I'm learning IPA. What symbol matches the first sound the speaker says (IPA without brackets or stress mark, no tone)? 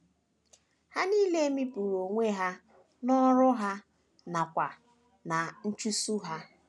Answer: h